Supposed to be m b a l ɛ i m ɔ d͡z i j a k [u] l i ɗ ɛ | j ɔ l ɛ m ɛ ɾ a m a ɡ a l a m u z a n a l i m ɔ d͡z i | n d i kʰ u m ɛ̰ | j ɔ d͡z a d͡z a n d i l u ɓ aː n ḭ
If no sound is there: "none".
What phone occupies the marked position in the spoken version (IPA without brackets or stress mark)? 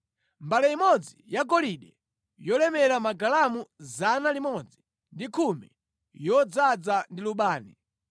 ɔ